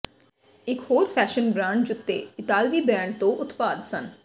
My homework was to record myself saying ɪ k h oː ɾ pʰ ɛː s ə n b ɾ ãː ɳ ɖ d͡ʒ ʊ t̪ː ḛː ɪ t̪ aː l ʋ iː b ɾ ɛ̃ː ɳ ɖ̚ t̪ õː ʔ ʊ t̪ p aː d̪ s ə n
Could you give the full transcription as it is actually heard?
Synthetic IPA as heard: ɪ k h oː ɾ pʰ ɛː ʃ ə n b ɾ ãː ɳ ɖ d͡ʒ ʊ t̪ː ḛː ɪ t̪ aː l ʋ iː b ɾ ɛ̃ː ɳ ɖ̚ t̪ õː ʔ ʊ t̪ p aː d̪ s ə n